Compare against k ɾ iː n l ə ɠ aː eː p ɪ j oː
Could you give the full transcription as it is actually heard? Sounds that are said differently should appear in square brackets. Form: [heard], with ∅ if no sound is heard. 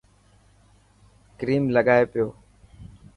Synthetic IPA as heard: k ɾ iː [m] l ə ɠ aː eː p ɪ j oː